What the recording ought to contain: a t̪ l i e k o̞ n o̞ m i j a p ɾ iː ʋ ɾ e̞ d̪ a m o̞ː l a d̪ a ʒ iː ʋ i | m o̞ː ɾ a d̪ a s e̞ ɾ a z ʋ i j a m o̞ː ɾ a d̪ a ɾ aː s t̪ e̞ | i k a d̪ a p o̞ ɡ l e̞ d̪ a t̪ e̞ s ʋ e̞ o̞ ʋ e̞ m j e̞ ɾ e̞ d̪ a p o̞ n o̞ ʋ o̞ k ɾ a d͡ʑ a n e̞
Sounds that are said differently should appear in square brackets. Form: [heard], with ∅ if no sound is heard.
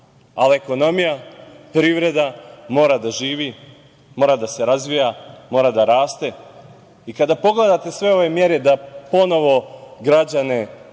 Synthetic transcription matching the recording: a [∅] l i e k o̞ n o̞ m i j a p ɾ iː ʋ ɾ e̞ d̪ a m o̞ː [ɾ] a d̪ a ʒ iː ʋ i | m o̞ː ɾ a d̪ a s e̞ ɾ a z ʋ i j a m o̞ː ɾ a d̪ a ɾ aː s t̪ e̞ | i k a d̪ a p o̞ ɡ l e̞ d̪ a t̪ e̞ s ʋ e̞ o̞ ʋ e̞ m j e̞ ɾ e̞ d̪ a p o̞ n o̞ ʋ o̞ [ɡ] ɾ a d͡ʑ a n e̞